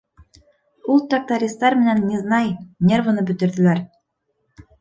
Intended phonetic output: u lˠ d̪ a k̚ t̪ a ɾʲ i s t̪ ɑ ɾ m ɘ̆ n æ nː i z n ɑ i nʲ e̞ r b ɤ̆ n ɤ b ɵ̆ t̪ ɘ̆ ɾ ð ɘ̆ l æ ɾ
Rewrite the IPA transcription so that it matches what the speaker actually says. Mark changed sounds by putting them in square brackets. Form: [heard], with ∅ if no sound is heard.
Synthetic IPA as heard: u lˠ [t̪] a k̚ t̪ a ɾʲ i s t̪ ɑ ɾ m ɘ̆ n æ nː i z n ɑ [j] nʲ e̞ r [v] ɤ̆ n ɤ b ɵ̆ t̪ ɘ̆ ɾ ð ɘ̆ l æ ɾ